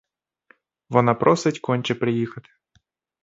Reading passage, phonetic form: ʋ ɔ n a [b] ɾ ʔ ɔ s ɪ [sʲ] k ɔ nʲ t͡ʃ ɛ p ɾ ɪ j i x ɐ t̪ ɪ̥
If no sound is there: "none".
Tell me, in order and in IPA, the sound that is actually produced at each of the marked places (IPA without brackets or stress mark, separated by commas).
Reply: p, tʲ